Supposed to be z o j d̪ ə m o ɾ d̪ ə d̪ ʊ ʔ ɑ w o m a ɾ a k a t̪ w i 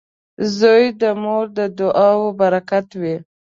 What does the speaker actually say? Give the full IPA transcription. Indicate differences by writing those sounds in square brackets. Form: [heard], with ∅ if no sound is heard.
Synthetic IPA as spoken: z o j d̪ ə m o ɾ d̪ ə d̪ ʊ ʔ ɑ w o [b] a ɾ a k a t̪ w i